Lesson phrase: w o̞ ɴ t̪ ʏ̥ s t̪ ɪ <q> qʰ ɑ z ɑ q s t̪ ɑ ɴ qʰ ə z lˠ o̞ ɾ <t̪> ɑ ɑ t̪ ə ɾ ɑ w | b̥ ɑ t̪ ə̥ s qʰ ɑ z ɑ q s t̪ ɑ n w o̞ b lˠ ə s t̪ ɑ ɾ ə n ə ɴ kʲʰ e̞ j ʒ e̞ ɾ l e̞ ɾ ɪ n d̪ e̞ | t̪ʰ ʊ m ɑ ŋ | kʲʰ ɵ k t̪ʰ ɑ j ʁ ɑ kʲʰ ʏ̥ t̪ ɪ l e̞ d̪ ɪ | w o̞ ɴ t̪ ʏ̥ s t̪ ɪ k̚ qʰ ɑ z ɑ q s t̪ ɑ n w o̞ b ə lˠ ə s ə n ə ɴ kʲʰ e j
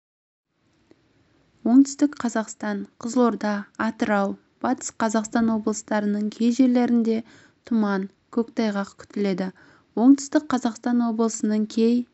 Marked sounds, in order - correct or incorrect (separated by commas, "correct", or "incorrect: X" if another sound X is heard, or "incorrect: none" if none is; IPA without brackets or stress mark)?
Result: incorrect: k, incorrect: d̪